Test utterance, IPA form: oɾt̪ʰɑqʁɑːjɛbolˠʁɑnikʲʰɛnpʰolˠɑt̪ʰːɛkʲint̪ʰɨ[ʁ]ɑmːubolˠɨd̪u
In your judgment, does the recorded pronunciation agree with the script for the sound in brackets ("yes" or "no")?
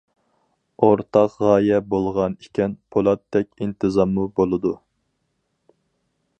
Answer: no